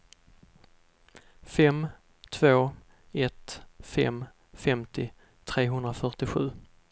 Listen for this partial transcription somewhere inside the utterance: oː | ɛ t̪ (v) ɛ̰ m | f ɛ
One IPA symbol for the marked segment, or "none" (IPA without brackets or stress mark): f